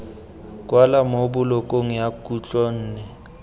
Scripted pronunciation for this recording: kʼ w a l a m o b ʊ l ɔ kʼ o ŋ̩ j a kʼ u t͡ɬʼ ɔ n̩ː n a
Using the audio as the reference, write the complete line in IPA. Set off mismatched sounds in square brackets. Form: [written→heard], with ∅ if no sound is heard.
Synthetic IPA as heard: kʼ w a l a m o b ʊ l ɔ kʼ o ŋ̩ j a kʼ u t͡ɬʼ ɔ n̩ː n [a→ɛ]